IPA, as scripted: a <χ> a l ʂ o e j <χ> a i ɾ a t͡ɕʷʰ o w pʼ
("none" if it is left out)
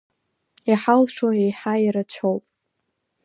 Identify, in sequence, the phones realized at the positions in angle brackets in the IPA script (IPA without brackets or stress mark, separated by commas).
ħ, ħ